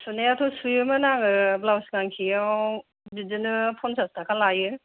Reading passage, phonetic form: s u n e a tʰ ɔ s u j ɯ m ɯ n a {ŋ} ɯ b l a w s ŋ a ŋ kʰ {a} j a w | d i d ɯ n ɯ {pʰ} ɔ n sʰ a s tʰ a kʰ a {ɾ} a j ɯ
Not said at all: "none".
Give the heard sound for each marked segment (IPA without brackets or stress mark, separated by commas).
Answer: ŋ, i, pʰ, l